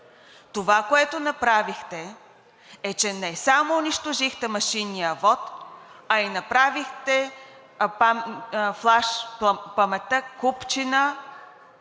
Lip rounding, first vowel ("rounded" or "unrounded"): rounded